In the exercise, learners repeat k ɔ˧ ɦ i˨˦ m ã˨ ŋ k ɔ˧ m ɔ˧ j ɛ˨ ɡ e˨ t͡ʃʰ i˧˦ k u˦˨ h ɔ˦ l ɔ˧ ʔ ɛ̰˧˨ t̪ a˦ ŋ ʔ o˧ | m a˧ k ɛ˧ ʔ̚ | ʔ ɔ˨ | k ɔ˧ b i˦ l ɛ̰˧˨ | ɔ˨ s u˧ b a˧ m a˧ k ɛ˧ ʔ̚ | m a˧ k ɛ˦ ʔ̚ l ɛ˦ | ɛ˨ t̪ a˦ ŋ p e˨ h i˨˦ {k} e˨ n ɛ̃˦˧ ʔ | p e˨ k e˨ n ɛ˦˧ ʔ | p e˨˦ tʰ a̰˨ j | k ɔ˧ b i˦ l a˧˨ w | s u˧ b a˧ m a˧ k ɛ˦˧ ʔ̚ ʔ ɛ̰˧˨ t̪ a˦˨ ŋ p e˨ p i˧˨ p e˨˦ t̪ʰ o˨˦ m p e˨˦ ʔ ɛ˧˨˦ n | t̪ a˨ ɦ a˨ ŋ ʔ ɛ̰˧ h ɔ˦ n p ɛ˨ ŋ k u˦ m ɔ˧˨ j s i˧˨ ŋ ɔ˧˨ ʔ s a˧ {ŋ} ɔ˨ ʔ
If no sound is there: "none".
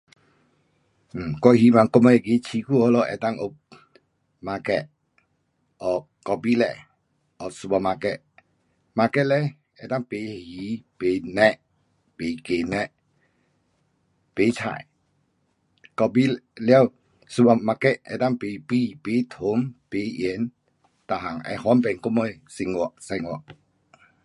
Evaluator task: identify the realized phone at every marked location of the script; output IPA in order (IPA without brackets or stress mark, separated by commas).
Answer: p, ŋ